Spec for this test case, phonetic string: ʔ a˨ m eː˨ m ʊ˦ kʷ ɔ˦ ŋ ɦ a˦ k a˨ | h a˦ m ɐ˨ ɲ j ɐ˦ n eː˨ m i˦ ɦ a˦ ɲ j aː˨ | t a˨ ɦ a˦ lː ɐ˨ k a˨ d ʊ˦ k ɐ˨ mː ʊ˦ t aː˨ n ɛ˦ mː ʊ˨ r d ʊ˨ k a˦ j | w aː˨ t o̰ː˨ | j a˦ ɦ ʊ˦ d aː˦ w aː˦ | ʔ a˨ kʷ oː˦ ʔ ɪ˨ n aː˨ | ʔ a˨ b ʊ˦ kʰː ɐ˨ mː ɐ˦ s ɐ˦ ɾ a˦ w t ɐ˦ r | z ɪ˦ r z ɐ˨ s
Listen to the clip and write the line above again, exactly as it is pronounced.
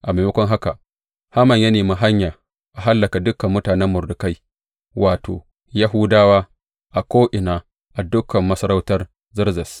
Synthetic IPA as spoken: ʔ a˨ m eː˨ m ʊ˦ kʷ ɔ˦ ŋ ɦ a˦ k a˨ | h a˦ m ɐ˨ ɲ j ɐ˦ n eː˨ m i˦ ɦ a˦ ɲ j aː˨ | ʔ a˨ ɦ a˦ lː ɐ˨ k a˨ d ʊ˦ k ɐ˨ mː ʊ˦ t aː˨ n ɛ˦ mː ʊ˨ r d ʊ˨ k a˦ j | w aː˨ t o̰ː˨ | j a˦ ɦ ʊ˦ d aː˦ w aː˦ | ʔ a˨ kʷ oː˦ ʔ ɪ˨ n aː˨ | ʔ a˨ d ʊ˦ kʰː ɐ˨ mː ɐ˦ s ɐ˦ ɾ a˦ w t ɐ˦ r | z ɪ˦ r z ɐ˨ s